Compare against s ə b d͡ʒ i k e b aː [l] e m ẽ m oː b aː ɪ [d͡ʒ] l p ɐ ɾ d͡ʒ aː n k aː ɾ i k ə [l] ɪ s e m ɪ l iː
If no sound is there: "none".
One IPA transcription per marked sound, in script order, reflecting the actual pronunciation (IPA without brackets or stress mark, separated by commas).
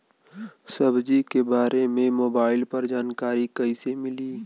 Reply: ɾ, none, none